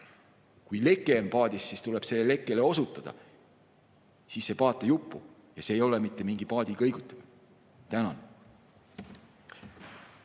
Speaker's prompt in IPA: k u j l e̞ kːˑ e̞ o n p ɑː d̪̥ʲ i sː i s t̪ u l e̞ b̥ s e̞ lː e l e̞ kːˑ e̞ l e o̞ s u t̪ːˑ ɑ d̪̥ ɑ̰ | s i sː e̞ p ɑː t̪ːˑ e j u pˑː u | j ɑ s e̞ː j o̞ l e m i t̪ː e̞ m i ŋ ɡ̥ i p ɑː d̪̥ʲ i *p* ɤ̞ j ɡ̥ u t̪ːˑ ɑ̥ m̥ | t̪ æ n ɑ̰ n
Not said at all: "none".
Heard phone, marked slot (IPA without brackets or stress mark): k